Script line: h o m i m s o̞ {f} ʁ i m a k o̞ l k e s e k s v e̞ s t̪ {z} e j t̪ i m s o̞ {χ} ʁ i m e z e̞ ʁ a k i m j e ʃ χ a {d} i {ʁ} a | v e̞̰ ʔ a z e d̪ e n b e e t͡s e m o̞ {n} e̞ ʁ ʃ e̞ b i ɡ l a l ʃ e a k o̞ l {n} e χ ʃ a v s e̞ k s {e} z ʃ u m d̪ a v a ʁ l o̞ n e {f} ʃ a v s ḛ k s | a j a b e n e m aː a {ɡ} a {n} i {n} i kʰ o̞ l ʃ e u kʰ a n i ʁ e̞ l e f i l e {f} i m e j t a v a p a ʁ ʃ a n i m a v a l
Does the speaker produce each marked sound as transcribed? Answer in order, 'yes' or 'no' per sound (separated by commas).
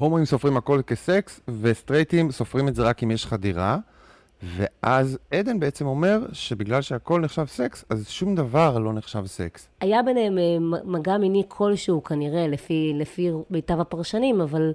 yes, no, no, yes, yes, no, yes, no, no, yes, no, yes, yes